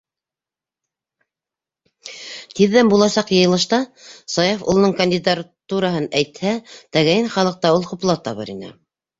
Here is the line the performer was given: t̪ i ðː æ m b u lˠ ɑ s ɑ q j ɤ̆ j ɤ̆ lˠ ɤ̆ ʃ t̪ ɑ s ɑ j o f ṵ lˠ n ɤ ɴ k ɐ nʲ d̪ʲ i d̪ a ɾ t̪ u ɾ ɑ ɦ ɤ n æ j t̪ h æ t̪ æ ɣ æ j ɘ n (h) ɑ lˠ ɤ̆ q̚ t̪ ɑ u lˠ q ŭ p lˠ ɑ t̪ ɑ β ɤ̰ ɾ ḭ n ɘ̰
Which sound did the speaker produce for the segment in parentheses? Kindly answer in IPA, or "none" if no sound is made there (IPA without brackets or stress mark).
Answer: χ